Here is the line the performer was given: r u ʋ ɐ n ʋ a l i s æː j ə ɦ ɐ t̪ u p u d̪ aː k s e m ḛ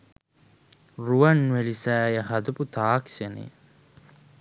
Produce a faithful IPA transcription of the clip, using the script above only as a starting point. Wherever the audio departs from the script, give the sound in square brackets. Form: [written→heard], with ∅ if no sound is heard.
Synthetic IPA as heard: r u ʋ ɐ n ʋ [a→e] l i s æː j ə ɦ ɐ [t̪→d̪] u p u [d̪→t̪] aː k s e [m→n] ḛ